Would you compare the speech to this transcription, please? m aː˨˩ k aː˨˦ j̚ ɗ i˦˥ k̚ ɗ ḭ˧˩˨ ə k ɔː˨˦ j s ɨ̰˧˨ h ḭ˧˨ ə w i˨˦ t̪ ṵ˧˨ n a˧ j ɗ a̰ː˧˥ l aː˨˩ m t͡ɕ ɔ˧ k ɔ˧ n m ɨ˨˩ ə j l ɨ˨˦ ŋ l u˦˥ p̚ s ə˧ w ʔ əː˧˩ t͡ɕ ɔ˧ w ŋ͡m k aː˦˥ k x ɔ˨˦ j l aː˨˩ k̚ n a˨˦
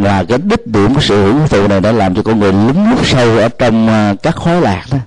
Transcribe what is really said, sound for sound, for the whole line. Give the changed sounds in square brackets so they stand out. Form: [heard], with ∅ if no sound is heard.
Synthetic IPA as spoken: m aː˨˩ k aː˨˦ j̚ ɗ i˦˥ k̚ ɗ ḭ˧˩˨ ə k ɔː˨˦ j s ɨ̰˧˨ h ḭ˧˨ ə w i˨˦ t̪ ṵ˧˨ n [a˨˩] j ɗ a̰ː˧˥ l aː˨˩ m t͡ɕ ɔ˧ k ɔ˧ n [ŋ] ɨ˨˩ ə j l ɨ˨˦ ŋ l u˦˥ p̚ s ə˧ w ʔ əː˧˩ t͡ɕ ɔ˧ w ŋ͡m k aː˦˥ k x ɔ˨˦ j l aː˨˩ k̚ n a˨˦